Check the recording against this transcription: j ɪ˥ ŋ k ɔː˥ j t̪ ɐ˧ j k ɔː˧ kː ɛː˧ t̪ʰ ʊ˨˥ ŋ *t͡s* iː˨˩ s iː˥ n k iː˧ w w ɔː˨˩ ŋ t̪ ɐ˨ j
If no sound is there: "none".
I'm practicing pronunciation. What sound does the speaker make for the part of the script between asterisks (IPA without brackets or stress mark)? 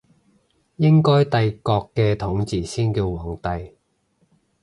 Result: t͡s